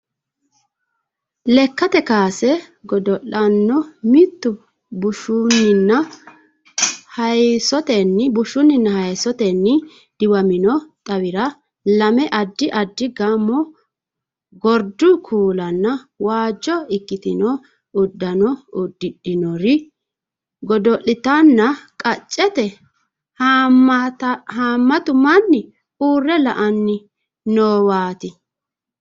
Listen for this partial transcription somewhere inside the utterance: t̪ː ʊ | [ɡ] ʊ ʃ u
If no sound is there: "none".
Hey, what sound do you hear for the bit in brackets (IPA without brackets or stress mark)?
b